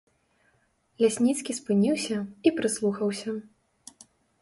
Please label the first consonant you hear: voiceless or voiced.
voiced